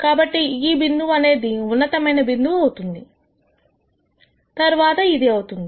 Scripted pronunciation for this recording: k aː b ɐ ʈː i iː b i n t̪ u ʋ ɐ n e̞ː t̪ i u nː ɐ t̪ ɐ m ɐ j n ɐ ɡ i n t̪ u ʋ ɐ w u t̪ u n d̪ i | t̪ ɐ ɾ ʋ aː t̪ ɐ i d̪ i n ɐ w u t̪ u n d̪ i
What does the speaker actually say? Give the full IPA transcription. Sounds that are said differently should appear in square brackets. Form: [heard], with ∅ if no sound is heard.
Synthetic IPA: k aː b ɐ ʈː i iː b i n [d̪] u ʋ ɐ n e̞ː [d̪] i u nː ɐ t̪ ɐ m ɐ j n ɐ [b] i n [d̪] u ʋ ɐ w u t̪ u n d̪ i | t̪ ɐ ɾ ʋ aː t̪ ɐ i d̪ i [∅] ɐ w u t̪ u n d̪ i